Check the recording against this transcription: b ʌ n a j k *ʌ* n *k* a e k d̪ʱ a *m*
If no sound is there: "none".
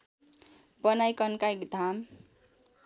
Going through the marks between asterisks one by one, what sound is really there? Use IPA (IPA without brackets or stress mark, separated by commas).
ʌ, k, m